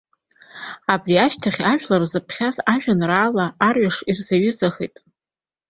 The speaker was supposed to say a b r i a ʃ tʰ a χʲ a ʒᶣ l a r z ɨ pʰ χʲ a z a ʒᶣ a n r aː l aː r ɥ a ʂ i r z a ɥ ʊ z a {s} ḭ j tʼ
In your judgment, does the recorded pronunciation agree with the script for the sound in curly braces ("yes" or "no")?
no